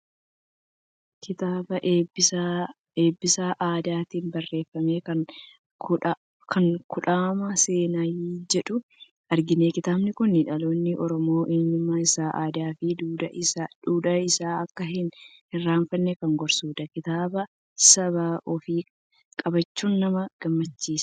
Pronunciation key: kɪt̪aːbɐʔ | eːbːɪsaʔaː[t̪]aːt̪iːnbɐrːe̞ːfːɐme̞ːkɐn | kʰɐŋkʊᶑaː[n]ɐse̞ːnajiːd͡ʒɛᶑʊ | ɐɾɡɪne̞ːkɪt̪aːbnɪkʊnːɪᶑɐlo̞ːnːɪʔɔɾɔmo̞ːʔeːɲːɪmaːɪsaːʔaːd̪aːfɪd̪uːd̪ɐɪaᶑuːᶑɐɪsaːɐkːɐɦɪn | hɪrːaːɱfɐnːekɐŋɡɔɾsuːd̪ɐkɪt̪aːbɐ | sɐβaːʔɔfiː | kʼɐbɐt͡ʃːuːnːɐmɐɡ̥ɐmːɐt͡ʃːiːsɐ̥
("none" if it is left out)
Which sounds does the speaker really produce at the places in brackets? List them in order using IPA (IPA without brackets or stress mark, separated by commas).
d̪, m